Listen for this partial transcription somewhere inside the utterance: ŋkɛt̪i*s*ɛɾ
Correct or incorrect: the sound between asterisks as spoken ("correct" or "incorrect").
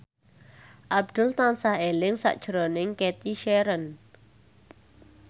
incorrect